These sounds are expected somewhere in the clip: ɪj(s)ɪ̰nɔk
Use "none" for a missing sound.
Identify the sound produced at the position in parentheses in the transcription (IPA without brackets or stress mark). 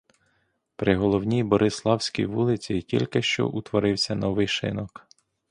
ʃ